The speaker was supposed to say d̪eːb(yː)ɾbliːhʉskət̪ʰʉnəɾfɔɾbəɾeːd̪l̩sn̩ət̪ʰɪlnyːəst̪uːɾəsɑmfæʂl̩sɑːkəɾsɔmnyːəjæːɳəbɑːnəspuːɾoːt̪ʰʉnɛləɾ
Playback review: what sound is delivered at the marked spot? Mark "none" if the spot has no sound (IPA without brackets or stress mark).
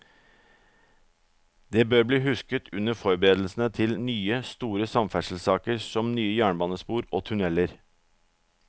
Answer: øː